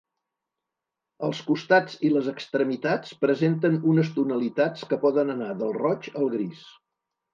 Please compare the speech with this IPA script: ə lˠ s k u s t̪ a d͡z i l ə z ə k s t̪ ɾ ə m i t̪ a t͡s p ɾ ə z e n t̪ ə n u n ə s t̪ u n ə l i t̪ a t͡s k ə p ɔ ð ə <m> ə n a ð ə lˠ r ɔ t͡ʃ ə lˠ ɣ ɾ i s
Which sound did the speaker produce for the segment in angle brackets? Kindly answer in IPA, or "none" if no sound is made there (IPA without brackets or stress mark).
n